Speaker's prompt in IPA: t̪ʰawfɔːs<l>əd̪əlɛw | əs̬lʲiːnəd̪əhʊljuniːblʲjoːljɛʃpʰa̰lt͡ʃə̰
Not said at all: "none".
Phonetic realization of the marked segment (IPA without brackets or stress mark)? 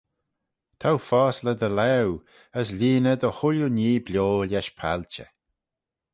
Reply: l